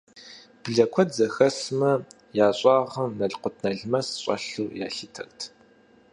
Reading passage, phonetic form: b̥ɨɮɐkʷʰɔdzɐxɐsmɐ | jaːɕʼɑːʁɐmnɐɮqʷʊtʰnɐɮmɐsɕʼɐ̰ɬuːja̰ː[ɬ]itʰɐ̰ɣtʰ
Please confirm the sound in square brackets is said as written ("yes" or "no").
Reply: yes